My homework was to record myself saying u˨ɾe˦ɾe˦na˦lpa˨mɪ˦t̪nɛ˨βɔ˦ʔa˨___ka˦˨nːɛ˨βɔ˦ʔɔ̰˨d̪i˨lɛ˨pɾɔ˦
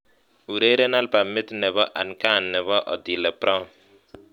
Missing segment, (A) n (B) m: A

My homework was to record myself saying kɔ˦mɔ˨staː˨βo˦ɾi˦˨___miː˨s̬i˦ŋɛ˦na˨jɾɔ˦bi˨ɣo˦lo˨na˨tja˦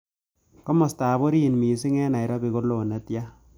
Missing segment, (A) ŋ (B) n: B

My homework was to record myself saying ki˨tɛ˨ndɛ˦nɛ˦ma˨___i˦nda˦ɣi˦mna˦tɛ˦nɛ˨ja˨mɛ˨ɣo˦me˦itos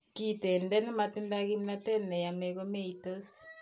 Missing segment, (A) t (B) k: A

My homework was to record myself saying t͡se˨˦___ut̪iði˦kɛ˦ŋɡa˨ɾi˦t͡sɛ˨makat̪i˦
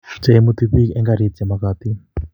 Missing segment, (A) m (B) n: A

